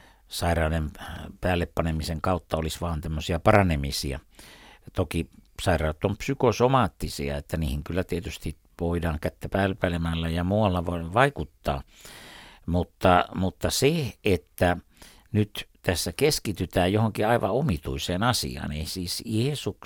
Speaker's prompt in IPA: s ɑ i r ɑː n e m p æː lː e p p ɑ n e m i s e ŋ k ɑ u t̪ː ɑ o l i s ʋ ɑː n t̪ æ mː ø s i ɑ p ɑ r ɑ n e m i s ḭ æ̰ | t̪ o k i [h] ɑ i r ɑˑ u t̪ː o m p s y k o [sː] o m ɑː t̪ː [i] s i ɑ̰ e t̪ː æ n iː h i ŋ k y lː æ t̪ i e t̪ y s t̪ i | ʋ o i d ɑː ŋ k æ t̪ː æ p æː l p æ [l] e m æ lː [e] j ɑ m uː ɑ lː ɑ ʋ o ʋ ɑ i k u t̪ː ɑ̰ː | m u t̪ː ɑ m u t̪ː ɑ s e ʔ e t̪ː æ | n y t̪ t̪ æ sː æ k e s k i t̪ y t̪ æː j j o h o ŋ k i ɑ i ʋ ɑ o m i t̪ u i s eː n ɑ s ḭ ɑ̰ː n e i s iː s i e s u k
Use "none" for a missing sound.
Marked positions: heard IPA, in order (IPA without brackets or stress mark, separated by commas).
s, s, i, l, æ